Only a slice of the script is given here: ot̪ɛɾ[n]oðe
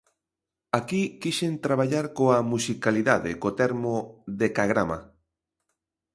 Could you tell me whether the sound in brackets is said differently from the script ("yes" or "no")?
yes